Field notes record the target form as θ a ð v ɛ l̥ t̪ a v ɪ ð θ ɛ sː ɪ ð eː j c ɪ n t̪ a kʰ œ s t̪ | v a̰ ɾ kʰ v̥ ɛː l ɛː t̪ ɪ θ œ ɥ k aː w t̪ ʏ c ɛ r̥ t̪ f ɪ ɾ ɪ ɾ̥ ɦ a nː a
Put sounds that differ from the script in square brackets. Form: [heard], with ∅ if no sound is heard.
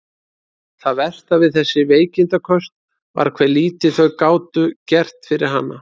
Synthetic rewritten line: θ a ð v ɛ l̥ t̪ a v ɪ ð θ ɛ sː ɪ [v] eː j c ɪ n t̪ a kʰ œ s t̪ | v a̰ ɾ kʰ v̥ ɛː l [iː] t̪ ɪ θ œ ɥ k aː w t̪ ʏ c ɛ r̥ t̪ f ɪ ɾ ɪ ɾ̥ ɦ a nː a